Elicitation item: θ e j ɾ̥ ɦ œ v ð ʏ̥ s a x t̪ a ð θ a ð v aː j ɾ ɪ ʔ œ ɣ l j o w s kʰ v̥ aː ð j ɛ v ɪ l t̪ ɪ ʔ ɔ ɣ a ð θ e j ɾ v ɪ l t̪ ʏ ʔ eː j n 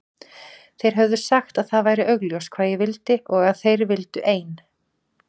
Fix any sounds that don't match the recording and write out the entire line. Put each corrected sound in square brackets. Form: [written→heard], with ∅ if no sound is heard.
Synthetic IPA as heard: θ e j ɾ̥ ɦ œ v ð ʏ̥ s a x t̪ a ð θ a ð v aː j ɾ ɪ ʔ œ ɣ l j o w s kʰ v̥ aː ð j ɛ v ɪ l t̪ ɪ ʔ ɔ ɣ a ð θ e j ɾ v ɪ l t̪ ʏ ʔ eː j n